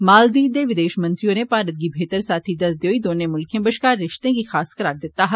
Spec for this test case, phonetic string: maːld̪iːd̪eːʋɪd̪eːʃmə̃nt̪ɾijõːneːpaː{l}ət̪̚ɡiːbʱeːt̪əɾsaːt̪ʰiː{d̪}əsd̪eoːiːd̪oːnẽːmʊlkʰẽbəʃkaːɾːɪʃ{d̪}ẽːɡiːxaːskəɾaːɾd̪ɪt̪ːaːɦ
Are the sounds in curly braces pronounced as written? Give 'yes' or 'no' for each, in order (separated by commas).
no, yes, no